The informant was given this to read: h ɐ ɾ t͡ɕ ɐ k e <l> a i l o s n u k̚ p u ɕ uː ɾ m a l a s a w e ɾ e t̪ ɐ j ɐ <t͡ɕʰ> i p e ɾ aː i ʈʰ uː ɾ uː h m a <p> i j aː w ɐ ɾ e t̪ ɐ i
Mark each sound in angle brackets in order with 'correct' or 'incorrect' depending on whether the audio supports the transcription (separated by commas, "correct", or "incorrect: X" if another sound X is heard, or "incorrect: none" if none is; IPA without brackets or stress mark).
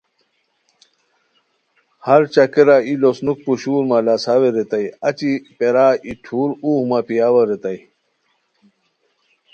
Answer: incorrect: ɾ, incorrect: t͡ɕ, correct